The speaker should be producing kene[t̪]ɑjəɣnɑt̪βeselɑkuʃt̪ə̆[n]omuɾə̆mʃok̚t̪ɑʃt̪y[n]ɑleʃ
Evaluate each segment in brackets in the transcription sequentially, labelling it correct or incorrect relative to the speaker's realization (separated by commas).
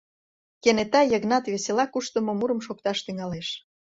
correct, incorrect, incorrect